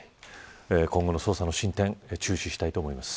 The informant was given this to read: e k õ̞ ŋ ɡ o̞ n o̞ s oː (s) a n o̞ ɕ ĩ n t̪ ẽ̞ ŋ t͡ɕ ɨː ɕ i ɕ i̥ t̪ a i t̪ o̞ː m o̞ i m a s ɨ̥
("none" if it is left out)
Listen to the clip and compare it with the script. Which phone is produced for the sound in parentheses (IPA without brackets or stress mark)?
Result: s